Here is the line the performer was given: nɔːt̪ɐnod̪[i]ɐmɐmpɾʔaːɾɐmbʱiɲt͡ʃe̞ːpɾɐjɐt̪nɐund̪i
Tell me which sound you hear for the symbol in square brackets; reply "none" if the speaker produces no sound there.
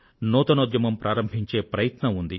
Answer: j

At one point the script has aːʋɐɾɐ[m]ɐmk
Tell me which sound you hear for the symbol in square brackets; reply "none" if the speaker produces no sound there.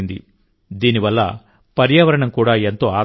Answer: ɳ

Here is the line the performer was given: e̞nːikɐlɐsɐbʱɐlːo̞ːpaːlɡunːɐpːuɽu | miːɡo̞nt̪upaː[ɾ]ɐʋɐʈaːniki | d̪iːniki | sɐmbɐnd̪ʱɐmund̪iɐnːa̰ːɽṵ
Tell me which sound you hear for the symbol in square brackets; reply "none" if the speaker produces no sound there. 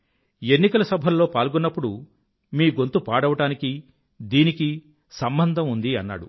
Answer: ɽ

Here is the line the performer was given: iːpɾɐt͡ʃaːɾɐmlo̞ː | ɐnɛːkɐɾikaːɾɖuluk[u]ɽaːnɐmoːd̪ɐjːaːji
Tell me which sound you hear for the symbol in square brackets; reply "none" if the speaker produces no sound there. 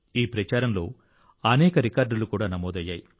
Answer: uː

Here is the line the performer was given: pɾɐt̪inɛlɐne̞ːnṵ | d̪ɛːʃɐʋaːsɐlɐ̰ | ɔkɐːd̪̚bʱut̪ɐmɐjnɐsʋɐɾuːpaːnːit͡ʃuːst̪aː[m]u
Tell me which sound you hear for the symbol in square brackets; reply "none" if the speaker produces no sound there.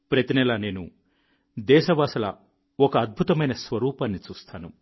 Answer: n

